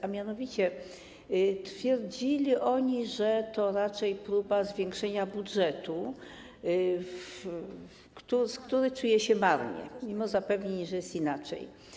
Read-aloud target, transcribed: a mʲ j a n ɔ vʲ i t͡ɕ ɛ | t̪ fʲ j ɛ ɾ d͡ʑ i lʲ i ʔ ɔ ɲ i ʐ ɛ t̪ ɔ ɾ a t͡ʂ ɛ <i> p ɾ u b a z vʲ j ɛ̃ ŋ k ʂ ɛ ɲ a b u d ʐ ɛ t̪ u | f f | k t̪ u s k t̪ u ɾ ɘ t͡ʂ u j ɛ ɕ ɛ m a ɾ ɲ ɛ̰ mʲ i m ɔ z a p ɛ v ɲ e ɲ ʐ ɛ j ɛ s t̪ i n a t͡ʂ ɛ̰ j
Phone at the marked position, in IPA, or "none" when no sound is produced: j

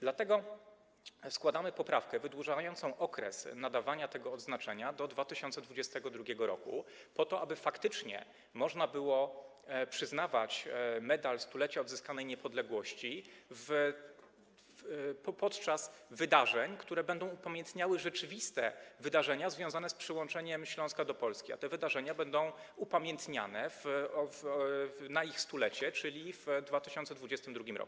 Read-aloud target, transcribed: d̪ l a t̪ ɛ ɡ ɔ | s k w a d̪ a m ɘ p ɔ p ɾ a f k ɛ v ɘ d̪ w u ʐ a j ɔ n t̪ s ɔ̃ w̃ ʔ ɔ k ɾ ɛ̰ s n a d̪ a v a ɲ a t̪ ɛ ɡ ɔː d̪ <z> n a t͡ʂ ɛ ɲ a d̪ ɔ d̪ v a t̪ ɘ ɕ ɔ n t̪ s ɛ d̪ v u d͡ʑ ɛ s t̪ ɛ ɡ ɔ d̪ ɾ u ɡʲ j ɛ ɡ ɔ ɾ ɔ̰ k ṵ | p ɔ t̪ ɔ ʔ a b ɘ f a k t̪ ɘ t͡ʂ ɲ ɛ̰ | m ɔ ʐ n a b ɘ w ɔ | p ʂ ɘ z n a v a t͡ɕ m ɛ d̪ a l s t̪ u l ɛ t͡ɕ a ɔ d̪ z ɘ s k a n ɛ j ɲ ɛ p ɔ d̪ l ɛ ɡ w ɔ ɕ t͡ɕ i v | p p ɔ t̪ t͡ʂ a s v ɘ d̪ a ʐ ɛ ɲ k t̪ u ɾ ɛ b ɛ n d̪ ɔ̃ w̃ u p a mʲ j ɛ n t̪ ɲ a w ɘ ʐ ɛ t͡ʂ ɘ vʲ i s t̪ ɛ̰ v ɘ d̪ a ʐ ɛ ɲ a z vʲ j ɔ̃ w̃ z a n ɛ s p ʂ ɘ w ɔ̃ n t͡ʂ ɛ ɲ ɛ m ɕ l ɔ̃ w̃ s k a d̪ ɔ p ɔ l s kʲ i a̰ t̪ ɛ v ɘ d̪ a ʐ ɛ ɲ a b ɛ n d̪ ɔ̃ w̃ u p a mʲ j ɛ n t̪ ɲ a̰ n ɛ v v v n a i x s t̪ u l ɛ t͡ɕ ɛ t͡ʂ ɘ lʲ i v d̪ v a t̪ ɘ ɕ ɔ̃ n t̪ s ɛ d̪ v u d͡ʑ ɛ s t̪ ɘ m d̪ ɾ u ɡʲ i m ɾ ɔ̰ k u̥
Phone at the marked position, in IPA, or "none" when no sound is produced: z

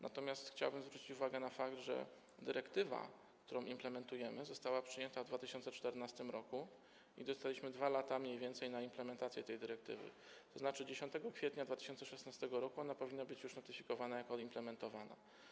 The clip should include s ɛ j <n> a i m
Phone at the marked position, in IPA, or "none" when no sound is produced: n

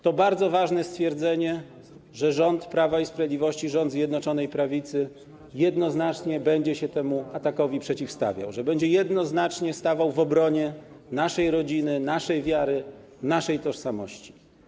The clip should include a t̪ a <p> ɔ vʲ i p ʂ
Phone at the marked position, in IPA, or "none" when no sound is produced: k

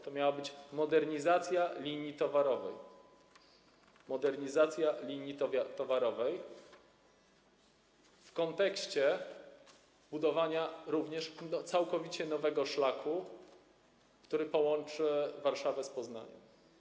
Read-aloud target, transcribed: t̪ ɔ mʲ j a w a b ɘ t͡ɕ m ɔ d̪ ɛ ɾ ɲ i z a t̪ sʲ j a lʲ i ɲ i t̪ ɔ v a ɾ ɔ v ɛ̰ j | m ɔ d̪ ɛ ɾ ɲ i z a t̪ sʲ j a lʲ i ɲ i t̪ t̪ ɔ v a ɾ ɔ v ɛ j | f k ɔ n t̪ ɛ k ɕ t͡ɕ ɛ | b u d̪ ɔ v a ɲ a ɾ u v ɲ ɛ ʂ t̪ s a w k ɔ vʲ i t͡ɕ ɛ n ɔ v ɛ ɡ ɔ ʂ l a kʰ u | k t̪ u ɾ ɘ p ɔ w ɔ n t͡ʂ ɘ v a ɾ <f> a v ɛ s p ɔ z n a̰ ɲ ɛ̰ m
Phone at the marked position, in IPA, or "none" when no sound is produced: ʂ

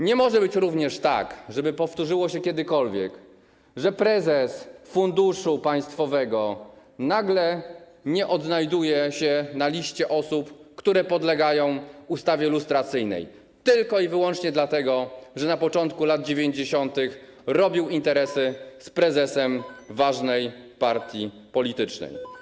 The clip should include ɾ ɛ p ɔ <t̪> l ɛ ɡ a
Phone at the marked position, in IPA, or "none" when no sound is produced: d̪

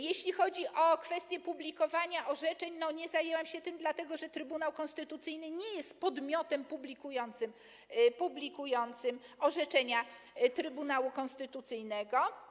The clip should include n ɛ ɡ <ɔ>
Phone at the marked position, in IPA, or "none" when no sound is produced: ɔ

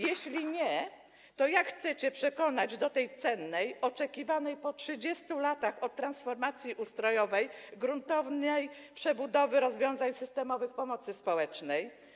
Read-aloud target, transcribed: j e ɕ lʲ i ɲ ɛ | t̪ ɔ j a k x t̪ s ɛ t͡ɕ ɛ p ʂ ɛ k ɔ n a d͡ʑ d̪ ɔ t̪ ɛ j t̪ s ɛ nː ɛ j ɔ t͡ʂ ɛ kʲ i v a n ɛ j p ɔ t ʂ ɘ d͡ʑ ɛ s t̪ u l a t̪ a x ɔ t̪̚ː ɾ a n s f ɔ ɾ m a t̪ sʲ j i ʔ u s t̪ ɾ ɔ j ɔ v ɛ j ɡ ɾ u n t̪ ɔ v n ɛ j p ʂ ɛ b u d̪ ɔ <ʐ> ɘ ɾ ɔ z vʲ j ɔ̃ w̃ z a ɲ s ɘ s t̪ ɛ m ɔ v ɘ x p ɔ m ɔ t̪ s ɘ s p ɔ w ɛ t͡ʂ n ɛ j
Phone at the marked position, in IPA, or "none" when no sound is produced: v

